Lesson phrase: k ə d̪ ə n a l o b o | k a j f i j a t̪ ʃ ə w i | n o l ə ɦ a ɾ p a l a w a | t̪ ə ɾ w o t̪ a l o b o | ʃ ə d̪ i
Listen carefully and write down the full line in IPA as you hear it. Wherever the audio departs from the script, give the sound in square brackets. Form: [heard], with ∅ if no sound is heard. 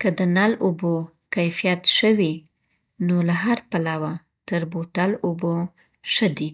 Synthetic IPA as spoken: k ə d̪ ə n a l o b o | k a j f i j a t̪ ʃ ə w i | n o l [a] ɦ a ɾ p a l a w a | t̪ ə ɾ [b] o t̪ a l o b o | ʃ ə d̪ i